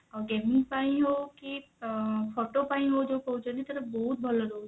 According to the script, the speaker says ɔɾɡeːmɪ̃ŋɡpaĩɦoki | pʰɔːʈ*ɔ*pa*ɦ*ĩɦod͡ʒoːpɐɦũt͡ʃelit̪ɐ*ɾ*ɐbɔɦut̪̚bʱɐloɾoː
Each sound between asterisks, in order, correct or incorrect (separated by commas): incorrect, incorrect, correct